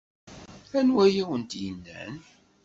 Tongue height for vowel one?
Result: low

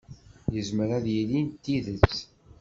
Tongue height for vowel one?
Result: mid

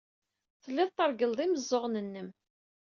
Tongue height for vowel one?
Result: mid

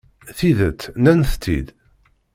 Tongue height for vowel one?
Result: high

